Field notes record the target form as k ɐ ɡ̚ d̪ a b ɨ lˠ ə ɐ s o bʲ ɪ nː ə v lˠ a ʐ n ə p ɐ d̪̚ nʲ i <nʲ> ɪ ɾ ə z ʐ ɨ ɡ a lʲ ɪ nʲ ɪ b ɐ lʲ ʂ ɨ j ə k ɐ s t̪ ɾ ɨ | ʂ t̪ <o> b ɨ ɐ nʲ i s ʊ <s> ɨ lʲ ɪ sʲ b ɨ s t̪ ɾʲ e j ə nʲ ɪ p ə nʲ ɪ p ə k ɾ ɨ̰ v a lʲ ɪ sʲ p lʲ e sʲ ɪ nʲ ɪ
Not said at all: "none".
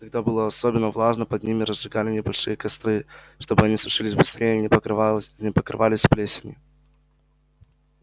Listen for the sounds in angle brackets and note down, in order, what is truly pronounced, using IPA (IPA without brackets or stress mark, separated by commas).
mʲ, o, ʂ